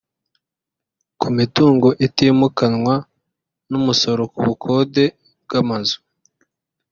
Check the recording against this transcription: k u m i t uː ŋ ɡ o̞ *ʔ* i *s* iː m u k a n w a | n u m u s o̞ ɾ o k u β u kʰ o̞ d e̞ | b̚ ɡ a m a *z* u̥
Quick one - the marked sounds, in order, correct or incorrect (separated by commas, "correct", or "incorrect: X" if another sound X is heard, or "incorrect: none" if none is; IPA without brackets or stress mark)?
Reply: correct, incorrect: t, correct